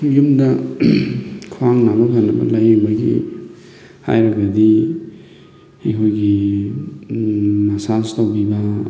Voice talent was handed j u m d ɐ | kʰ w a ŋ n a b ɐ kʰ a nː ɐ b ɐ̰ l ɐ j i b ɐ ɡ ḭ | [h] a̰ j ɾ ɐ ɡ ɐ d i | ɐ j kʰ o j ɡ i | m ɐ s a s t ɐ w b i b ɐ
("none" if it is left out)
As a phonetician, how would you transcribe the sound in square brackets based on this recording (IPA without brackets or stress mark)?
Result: h